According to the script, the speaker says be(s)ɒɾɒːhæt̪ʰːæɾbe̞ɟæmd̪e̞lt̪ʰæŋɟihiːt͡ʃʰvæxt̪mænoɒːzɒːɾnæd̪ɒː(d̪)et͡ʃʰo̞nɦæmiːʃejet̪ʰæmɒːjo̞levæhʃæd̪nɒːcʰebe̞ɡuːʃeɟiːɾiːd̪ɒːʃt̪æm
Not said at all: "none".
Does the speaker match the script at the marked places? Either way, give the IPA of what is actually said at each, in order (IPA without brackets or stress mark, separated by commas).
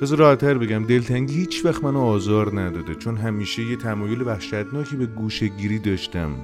z, d̪